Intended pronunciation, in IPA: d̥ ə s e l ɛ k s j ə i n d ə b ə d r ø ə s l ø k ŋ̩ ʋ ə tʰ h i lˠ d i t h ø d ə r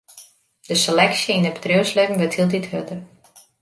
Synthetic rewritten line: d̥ ə s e l ɛ k s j ə i n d ə b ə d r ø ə s l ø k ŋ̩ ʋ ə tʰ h i lˠ d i t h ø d ə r